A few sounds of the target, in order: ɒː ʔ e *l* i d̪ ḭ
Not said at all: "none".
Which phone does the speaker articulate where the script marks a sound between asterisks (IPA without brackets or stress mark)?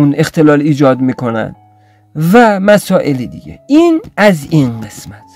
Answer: l